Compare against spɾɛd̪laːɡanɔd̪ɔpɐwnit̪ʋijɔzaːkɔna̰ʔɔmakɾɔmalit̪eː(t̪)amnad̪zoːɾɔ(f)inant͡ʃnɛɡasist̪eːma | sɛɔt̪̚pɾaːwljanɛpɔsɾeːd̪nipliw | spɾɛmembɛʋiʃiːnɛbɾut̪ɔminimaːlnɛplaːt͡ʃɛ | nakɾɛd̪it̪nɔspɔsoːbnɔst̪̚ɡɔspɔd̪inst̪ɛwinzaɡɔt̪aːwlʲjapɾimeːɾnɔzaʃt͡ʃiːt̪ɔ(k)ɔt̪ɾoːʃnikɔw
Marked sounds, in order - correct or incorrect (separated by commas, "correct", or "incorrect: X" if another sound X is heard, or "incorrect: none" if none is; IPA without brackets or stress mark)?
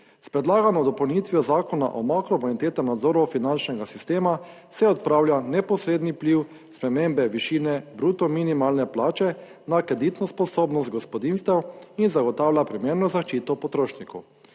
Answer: correct, correct, incorrect: p